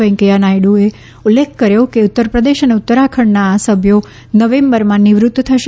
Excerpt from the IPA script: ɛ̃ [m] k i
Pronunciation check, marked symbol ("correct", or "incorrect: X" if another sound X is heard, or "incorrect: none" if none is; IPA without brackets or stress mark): incorrect: ŋ